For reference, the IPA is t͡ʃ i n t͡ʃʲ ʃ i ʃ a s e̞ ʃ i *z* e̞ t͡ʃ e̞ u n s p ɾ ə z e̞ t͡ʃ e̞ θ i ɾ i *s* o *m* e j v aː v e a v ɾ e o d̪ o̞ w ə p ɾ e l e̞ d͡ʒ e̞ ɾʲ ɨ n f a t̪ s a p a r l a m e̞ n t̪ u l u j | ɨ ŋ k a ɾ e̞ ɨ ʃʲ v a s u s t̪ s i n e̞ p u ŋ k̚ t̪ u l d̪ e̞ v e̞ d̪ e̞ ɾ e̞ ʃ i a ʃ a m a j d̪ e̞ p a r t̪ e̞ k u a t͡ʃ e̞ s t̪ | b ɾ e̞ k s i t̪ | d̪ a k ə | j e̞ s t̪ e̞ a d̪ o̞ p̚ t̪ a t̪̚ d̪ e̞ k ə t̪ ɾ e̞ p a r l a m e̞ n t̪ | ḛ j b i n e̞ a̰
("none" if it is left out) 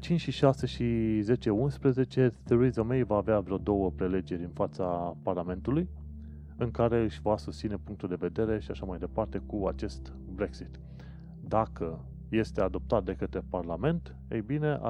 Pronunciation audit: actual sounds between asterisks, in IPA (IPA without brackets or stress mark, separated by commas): z, z, m